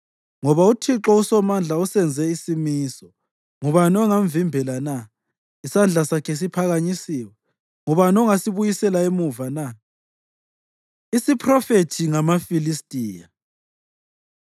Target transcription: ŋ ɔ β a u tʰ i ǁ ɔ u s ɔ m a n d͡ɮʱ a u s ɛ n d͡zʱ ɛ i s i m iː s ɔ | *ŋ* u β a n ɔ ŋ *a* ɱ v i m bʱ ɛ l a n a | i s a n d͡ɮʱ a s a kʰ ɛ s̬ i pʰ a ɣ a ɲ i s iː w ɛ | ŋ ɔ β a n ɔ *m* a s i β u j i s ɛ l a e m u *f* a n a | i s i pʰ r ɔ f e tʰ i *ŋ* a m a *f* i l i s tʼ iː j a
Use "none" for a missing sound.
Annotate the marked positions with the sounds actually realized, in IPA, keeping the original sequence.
ŋ, a, ŋ, v, ŋ, f

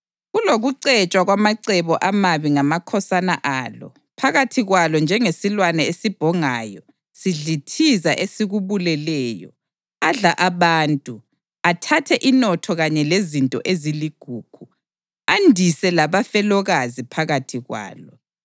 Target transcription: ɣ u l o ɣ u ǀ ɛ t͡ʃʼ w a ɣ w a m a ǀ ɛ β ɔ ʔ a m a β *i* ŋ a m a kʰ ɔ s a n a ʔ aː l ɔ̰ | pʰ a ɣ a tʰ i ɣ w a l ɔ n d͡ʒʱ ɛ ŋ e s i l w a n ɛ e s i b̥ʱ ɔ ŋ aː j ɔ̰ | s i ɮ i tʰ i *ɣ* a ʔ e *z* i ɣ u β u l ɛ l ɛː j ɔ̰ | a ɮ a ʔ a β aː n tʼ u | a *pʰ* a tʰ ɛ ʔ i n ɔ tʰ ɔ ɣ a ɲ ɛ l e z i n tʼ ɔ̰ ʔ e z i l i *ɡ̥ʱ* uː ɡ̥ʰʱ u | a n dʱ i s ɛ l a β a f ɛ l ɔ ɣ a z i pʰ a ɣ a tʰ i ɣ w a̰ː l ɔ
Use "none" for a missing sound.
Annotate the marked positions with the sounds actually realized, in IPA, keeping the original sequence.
i, z, s, tʰ, ɡ̥ʱ

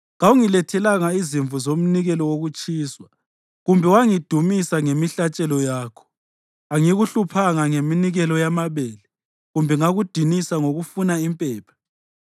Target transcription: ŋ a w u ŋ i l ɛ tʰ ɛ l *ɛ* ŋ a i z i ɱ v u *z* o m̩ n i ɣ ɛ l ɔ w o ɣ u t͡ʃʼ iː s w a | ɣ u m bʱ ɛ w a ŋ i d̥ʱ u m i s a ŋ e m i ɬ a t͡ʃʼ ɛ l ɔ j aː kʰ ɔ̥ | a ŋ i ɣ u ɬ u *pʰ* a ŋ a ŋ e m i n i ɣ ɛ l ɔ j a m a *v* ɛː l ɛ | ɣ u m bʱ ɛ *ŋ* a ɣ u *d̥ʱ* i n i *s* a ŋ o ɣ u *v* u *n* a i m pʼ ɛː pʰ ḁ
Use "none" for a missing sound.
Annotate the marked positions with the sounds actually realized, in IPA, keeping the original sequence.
a, z, pʰ, β, ŋ, d̥ʱ, s, f, n

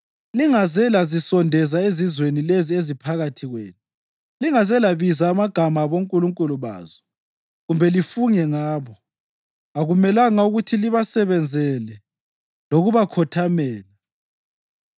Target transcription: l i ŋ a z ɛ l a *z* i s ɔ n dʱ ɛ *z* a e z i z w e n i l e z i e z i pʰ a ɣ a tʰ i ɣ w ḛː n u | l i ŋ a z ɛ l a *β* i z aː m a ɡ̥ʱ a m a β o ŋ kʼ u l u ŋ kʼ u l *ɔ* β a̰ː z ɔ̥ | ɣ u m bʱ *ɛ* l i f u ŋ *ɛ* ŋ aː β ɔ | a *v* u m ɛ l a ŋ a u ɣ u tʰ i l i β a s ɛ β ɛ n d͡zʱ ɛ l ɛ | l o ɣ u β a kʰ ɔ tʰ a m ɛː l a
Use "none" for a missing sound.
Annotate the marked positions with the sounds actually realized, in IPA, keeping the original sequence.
z, z, β, u, ɛ, ɛ, ɣ

